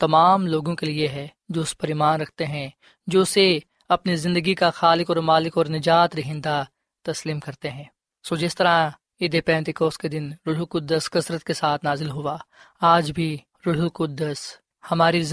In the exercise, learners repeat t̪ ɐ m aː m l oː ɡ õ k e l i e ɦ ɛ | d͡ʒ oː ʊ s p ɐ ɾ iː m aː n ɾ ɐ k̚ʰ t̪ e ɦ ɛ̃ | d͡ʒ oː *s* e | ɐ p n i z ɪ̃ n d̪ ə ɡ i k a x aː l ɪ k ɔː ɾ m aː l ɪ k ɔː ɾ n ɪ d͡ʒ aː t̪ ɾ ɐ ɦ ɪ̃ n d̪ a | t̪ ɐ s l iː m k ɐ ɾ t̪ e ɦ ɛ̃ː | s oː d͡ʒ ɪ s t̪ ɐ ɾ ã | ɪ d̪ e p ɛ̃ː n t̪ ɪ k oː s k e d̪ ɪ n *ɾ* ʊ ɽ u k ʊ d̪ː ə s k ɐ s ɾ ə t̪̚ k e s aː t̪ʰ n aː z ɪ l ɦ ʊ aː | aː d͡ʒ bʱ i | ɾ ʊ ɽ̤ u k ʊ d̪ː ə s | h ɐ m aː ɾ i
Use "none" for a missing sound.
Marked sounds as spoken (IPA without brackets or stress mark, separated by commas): s, ɾ